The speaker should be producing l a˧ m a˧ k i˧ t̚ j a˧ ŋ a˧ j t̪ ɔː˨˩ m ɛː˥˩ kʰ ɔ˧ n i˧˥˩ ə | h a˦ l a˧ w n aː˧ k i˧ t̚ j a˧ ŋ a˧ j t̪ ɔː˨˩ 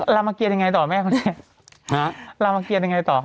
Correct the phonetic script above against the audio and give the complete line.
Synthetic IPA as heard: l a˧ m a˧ k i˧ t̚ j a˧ ŋ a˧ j t̪ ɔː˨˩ m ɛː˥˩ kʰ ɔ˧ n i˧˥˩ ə | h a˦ l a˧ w m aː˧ k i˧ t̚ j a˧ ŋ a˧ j t̪ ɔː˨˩